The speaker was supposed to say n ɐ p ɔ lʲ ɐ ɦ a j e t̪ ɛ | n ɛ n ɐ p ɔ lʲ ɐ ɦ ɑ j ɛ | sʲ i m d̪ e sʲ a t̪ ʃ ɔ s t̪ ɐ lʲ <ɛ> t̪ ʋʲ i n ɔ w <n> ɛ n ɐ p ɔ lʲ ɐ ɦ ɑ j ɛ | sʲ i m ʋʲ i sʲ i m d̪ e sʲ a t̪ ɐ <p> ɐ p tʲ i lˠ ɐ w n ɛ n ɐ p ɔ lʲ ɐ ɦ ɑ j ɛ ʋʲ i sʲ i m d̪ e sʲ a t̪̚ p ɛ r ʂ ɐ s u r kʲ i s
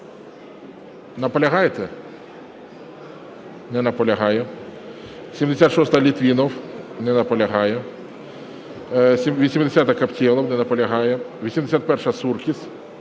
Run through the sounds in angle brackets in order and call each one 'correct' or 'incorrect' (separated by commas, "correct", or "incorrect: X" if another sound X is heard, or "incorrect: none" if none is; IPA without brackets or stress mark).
incorrect: i, correct, incorrect: k